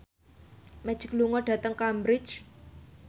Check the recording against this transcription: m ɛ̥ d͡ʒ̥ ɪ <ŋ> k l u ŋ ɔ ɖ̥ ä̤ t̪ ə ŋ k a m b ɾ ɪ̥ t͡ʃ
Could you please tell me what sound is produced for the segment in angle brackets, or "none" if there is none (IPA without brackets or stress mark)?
none